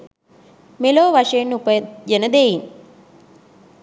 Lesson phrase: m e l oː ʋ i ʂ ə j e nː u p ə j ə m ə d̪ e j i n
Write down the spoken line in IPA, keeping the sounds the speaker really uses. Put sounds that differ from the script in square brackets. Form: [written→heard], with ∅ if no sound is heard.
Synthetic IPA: m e l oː ʋ [i→a] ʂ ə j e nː u p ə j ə [m→n] ə d̪ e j i n

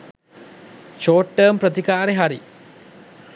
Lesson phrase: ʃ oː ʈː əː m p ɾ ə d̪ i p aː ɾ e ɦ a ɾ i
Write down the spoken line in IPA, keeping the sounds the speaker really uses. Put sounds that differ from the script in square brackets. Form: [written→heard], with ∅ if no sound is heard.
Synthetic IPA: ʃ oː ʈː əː m p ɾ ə [d̪→t̪] i [p→k] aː ɾ e ɦ a ɾ i

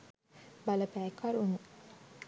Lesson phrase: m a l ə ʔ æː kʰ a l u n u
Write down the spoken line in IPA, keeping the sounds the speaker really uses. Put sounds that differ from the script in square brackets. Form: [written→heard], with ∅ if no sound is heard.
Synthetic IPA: [m→b] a l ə [ʔ→p] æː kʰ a [l→ɾ] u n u

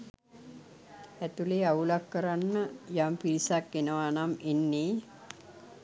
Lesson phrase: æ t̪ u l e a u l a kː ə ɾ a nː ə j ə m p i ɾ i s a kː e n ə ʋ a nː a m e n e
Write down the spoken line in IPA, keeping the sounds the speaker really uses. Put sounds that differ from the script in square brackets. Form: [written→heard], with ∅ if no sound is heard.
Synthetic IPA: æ t̪ u l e a u l a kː ə ɾ a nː ə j [ə→a] m p i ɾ i s a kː e n ə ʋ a [nː→n] a m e [n→nː] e

